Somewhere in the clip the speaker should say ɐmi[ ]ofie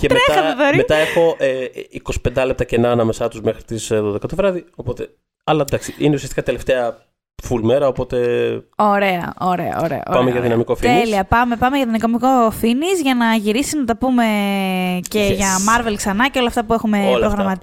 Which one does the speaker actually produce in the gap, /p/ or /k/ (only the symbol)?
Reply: k